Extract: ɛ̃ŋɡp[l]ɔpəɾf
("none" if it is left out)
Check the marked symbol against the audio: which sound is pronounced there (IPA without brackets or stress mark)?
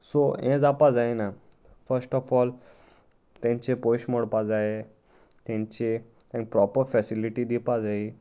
ɾ